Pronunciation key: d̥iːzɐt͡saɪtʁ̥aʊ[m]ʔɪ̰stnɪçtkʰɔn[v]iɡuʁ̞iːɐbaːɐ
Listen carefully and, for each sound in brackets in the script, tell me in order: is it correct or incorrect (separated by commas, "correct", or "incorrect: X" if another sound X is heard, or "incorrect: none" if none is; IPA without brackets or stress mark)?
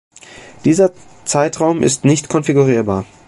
correct, incorrect: f